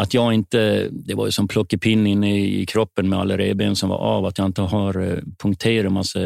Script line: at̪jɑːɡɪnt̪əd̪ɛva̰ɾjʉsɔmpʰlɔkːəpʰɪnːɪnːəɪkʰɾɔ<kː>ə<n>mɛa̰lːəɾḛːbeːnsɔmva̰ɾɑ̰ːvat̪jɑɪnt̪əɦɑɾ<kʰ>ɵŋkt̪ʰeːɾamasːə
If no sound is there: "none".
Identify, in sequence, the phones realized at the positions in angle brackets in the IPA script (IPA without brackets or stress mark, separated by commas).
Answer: pː, n, pʰ